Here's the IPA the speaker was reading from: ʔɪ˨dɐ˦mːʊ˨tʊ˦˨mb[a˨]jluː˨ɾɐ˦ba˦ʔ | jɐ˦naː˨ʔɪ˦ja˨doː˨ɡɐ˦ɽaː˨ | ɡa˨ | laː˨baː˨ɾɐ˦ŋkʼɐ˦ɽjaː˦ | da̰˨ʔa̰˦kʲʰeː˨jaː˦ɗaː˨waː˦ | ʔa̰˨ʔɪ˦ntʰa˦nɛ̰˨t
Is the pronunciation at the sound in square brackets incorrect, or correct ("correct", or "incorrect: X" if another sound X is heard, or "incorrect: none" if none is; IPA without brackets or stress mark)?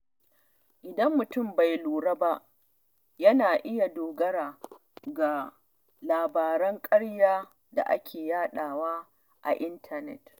correct